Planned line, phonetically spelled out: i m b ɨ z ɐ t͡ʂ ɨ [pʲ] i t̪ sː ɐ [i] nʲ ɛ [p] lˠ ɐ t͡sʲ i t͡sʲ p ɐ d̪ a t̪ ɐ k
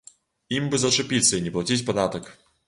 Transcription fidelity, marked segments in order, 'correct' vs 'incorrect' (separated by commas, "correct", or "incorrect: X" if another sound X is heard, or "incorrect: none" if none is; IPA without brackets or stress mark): correct, correct, correct